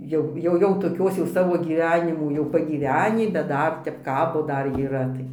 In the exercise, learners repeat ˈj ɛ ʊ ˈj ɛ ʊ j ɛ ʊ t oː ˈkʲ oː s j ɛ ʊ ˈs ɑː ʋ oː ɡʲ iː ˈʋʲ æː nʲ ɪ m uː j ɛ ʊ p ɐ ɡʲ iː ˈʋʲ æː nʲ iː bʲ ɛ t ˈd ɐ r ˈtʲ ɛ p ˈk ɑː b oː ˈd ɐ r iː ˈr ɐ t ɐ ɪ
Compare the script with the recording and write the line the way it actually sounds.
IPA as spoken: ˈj ɛ ʊ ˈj ɛ ʊ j ɛ ʊ t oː ˈkʲ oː s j ɛ ʊ ˈs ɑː ʋ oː ɡʲ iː ˈʋʲ æː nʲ ɪ m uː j ɛ ʊ p ɐ ɡʲ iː ˈʋʲ æː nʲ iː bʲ ɛ t ˈd ɐ r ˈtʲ ɛ p ˈk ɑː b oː ˈd ɐ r iː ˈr ɐ t ɐ ɪ